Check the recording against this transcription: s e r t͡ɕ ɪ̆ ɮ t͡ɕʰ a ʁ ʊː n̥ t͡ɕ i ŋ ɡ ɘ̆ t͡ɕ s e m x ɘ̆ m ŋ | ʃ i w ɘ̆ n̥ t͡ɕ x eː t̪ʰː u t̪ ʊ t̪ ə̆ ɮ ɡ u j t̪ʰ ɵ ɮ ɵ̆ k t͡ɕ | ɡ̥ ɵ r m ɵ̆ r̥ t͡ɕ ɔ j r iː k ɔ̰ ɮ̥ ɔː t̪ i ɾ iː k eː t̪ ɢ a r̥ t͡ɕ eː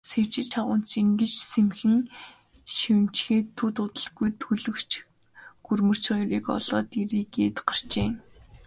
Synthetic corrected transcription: s e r t͡ɕ ɪ̆ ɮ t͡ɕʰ a ʁ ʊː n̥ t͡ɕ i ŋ ɡ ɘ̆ t͡ɕ s e m x ɘ̆ ŋ | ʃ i w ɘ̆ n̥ t͡ɕ x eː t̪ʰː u t̪ ʊ t̪ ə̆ ɮ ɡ u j t̪ʰ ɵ ɮ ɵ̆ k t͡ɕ | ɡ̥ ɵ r m ɵ̆ r̥ t͡ɕ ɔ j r iː k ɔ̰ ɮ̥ ɔː t̪ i ɾ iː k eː t̪ ɢ a r̥ t͡ɕ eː